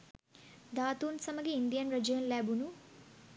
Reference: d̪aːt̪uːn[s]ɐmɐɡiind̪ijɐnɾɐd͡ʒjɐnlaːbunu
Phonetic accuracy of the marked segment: correct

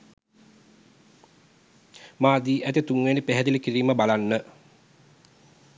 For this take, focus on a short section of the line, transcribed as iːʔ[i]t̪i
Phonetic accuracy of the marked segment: incorrect: æ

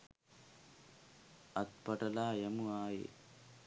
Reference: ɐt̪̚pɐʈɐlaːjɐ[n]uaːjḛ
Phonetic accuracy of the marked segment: incorrect: m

